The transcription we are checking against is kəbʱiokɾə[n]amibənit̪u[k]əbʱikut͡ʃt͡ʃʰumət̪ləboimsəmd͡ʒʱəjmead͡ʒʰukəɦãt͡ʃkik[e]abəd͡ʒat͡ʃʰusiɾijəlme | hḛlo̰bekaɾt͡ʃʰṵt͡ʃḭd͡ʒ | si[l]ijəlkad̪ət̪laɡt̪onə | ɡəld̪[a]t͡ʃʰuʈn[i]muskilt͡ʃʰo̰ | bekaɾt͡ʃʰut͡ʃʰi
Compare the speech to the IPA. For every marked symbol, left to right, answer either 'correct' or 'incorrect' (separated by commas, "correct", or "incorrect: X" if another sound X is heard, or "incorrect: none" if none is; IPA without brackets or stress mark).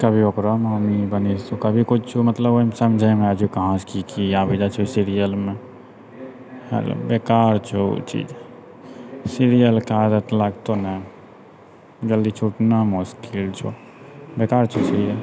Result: incorrect: m, correct, incorrect: i, incorrect: ɾ, incorrect: i, incorrect: a